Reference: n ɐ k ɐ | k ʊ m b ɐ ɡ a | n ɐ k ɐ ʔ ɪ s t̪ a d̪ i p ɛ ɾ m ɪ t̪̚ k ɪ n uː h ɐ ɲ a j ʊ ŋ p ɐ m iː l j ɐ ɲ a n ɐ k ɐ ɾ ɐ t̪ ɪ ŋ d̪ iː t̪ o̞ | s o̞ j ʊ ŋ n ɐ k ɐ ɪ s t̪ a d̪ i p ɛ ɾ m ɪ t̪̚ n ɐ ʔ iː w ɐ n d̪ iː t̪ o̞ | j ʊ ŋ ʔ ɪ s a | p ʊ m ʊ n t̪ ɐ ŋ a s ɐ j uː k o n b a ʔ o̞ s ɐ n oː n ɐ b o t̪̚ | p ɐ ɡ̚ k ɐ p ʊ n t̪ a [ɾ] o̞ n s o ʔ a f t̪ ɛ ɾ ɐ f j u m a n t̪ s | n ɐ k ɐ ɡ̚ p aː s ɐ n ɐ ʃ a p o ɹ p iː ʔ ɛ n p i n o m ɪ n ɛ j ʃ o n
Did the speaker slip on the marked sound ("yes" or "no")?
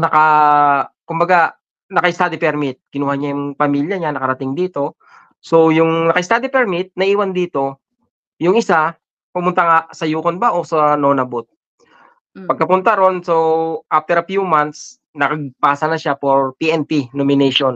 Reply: no